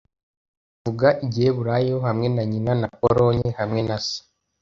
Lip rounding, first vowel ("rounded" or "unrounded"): rounded